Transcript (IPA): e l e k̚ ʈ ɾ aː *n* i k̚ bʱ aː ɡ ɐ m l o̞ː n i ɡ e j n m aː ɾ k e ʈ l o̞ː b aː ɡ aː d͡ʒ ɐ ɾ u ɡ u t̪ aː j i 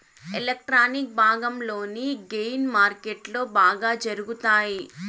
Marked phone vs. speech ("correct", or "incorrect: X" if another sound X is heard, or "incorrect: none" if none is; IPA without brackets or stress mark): correct